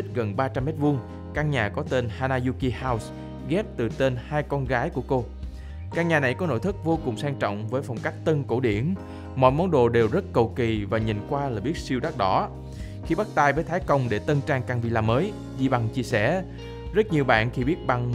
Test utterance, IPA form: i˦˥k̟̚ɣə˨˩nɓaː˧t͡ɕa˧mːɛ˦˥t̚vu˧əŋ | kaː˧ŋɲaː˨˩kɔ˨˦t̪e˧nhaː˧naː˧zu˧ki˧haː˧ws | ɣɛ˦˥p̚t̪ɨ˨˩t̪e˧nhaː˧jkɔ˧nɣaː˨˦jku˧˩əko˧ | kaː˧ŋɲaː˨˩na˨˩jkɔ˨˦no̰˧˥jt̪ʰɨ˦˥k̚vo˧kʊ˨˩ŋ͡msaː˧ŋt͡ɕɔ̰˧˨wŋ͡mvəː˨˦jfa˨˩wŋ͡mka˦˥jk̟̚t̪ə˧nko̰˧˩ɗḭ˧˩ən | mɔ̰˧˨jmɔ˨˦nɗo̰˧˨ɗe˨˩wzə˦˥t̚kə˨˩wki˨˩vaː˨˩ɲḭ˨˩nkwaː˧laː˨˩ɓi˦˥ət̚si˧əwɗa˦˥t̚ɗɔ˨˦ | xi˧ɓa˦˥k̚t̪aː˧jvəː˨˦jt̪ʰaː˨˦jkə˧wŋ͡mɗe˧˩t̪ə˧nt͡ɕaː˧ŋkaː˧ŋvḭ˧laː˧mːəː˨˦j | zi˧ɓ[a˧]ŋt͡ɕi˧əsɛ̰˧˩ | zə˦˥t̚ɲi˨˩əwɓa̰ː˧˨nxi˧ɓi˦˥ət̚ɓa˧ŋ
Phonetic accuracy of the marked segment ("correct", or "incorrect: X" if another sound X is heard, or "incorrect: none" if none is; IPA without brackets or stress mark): correct